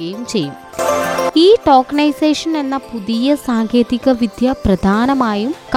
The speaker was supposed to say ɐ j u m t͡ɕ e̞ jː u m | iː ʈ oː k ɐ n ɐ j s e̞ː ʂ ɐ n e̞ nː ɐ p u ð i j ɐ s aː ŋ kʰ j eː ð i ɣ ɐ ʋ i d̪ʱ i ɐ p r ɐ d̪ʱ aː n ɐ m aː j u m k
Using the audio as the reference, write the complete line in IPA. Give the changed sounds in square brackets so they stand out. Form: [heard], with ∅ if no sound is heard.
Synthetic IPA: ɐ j u m t͡ɕ e̞ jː u m | iː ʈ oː k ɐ n ɐ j s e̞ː ʂ ɐ n e̞ nː ɐ p u ð i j ɐ s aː ŋ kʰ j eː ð i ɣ ɐ ʋ i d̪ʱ [j] ɐ p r ɐ d̪ʱ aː n ɐ m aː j u m k